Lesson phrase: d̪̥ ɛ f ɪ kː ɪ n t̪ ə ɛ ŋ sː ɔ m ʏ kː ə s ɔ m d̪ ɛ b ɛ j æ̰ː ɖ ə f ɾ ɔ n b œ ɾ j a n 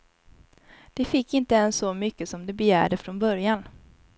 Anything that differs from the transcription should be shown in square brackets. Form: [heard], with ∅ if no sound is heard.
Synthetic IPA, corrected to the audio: d̪̥ ɛ f ɪ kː ɪ n t̪ ə ɛ [n] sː ɔ m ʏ kː ə s ɔ m d̪ ɛ b ɛ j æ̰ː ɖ ə f ɾ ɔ n b œ ɾ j a n